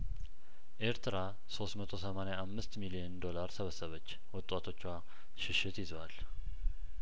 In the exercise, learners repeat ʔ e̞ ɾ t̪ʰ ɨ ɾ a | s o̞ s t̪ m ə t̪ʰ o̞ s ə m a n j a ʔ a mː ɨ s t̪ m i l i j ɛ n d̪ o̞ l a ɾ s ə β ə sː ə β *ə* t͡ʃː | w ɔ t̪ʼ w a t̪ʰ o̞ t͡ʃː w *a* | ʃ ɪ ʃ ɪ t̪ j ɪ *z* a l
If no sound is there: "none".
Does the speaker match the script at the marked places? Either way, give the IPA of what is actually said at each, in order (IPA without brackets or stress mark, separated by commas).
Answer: ə, a, z